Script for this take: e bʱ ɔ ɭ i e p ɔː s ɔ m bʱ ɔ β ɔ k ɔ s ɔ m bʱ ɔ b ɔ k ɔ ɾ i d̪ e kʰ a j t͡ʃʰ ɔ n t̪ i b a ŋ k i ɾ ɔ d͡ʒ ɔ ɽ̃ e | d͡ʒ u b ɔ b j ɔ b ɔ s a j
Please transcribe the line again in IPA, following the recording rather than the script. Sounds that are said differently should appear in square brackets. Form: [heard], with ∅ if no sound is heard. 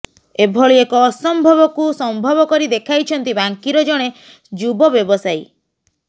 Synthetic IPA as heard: e bʱ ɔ ɭ i e [k] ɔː s ɔ m bʱ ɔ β ɔ k [u] s ɔ m bʱ ɔ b ɔ k ɔ ɾ i d̪ e kʰ a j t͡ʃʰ ɔ n t̪ i b a ŋ k i ɾ ɔ d͡ʒ ɔ ɽ̃ e | d͡ʒ u b ɔ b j ɔ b ɔ s a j